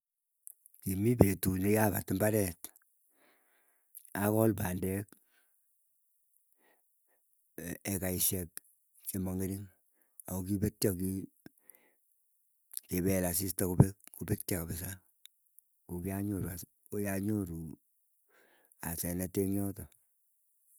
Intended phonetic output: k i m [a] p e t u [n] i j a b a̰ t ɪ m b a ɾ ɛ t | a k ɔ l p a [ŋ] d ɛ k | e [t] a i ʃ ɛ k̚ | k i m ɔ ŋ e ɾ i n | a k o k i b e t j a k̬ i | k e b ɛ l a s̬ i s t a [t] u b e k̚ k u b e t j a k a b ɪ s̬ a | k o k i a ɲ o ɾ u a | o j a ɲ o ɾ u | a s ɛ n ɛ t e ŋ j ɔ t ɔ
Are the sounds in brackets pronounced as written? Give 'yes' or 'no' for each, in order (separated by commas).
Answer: no, yes, no, no, no